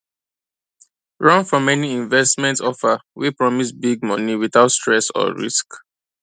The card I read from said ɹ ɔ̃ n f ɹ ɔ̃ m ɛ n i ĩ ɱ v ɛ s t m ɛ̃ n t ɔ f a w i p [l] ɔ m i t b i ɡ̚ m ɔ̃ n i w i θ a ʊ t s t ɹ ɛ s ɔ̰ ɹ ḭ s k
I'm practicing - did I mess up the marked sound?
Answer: yes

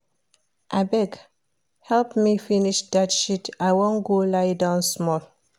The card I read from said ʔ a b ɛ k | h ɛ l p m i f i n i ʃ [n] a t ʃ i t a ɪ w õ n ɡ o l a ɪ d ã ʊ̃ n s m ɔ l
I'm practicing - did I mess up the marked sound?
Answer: yes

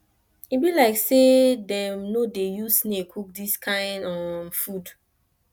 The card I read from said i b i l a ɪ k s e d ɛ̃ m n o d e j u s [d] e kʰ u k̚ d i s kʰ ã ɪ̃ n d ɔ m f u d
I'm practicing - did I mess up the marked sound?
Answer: yes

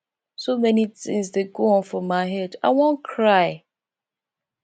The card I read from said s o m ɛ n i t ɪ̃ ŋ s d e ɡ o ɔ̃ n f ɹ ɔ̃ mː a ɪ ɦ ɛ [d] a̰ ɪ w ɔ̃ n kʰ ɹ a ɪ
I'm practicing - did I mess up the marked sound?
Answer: no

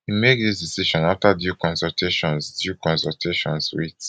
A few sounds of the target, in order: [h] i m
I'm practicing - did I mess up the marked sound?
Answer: no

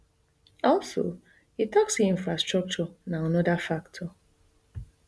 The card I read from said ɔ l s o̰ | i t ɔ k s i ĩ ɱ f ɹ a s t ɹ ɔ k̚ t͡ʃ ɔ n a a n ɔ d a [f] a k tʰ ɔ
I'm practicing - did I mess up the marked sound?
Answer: no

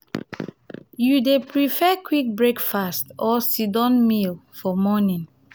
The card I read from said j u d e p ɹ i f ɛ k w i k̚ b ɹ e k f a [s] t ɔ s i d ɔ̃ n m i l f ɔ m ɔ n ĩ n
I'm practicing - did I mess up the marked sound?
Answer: no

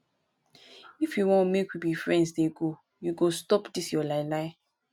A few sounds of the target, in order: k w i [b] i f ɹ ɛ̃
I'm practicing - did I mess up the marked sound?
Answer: no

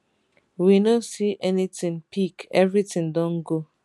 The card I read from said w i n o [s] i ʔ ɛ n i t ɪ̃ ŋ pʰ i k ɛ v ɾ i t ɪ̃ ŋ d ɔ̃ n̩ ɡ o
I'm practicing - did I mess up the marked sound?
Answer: no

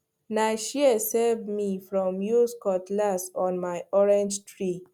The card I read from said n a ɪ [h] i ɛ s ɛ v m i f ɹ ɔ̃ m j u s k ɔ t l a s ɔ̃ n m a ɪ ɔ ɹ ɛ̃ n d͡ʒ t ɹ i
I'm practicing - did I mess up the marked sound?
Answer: yes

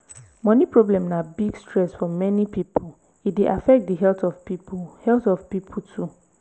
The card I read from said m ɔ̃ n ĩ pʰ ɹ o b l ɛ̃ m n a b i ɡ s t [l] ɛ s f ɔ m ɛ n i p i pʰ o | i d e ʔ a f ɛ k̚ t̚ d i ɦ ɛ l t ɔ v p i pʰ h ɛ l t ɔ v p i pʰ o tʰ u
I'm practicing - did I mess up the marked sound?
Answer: yes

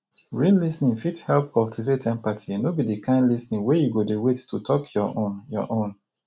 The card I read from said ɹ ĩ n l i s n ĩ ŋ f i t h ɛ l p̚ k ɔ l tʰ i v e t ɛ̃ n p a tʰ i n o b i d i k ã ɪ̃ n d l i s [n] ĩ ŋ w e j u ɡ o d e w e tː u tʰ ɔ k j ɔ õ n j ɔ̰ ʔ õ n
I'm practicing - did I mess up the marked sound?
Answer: no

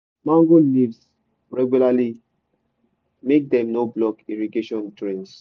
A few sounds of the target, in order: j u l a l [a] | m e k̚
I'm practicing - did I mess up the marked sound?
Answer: yes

